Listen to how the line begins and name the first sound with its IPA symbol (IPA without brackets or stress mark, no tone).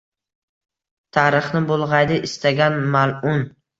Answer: t̪ʰ